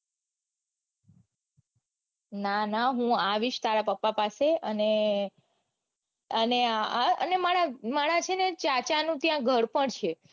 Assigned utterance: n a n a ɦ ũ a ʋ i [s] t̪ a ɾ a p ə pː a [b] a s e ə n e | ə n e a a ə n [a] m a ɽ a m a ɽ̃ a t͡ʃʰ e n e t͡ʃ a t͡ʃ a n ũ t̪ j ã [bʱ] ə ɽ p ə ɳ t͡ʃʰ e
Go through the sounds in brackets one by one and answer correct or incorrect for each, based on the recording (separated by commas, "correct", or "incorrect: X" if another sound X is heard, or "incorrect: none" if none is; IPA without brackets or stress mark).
incorrect: ʃ, incorrect: p, incorrect: e, incorrect: ɡʱ